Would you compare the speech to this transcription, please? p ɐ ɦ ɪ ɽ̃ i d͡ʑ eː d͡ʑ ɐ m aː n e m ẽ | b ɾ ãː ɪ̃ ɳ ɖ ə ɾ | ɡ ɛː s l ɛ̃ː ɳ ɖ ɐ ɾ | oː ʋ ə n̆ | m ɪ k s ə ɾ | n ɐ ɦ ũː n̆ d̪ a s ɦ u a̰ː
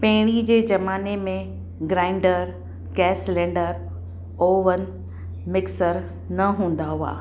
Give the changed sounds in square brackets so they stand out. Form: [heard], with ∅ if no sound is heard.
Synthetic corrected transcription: p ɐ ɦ ɪ ɽ̃ i d͡ʑ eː d͡ʑ ɐ m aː n e m ẽ | [ɡ] ɾ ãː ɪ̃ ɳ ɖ ə ɾ | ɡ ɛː s l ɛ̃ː ɳ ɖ [ə] ɾ | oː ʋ ə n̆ | m ɪ k s ə ɾ | n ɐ ɦ ũː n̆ d̪ a [∅] ɦ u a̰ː